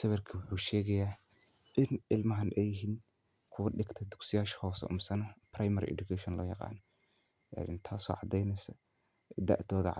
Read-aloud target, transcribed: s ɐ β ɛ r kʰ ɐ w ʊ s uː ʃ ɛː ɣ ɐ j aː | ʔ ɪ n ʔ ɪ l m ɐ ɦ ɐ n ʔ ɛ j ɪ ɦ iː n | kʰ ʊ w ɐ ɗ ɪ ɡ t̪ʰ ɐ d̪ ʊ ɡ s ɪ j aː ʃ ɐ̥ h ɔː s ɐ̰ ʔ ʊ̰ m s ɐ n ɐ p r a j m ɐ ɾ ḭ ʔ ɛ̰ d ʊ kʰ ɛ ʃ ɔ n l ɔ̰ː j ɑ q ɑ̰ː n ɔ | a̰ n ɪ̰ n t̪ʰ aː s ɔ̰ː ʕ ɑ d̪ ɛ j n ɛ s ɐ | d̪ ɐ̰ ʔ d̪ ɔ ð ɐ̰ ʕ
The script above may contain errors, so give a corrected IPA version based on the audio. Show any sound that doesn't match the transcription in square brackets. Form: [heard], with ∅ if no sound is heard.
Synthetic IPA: s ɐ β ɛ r kʰ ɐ w ʊ [ħ] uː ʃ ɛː ɣ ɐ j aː | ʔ ɪ n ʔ ɪ l m ɐ ɦ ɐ n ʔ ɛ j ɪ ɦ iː n | kʰ ʊ w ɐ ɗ ɪ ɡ t̪ʰ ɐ d̪ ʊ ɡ s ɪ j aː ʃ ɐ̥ h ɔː s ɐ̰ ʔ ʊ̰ m s ɐ n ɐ p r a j m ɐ ɾ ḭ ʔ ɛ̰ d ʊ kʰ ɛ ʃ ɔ n l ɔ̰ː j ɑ q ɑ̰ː n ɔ | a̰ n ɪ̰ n t̪ʰ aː s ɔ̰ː ʕ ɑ d̪ ɛ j n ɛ s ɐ | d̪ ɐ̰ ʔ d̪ [ɔː] ð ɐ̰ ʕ